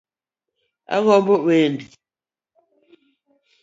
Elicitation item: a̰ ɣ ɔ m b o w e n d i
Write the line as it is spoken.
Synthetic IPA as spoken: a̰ ɣ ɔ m b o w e n d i

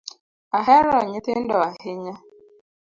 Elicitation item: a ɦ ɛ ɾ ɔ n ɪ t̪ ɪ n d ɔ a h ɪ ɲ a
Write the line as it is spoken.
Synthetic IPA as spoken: a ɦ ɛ ɾ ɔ ɲ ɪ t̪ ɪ n d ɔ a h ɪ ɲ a

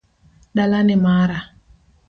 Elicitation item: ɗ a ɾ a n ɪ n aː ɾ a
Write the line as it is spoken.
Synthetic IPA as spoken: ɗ a l a n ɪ m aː ɾ a

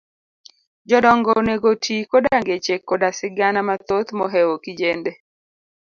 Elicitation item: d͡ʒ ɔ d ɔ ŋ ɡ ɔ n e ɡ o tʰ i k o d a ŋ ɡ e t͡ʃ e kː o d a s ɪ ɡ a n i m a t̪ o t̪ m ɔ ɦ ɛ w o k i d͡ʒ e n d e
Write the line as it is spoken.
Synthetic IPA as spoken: d͡ʒ ɔ d ɔ ŋ ɡ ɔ n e ɡ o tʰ i k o d a ŋ ɡ e t͡ʃ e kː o d a s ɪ ɡ a n a m a t̪ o t̪ m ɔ ɦ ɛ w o k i d͡ʒ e n d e

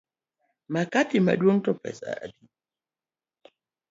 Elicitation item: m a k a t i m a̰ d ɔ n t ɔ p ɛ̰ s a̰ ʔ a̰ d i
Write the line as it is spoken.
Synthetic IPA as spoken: m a k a t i m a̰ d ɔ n t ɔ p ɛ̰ s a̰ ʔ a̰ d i

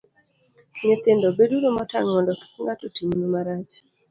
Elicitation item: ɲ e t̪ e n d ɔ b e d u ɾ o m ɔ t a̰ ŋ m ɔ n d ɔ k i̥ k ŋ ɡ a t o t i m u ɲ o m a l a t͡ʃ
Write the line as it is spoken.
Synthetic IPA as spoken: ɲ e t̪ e n d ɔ b e d u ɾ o m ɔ t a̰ ŋ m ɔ n d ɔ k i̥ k ŋ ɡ a t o t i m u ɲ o m a ɾ a t͡ʃ

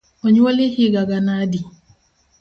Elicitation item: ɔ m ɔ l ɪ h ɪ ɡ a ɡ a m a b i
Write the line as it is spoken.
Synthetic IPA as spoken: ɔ ɲ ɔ l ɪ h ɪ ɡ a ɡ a n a d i

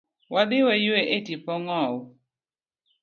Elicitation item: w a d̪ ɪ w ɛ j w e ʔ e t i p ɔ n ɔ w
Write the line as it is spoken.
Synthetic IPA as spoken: w a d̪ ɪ w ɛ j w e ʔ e t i p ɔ ŋ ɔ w

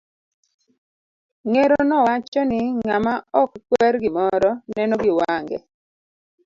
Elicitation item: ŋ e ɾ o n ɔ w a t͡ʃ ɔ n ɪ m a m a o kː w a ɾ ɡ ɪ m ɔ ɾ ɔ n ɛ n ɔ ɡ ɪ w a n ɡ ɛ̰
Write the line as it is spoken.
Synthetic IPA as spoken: ŋ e ɾ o n ɔ w a t͡ʃ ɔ n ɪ ŋ a m a ɔ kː w ɛ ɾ ɡ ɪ m ɔ ɾ ɔ n ɛ n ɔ ɡ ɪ w a ŋ ɡ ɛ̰

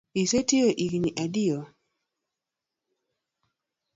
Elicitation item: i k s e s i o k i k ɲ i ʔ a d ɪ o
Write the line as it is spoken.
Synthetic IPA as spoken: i s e t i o ʔ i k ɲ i ʔ a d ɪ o

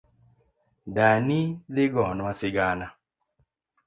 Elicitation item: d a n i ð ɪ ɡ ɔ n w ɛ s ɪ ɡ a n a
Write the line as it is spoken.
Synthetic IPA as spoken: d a n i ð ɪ ɡ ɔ n w a s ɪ ɡ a n a

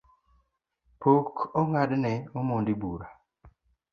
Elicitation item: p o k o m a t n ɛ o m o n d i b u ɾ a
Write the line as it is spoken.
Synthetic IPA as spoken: p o k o ŋ a d n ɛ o m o n d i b u ɾ a

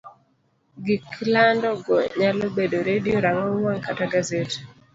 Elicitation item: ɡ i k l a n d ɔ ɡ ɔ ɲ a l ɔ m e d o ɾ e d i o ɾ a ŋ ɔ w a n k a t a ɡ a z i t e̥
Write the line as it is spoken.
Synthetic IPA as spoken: ɡ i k l a n d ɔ ɡ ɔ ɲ a l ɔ b e d o ɾ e d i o ɾ a ŋ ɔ w a ŋ k a t a ɡ a z e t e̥

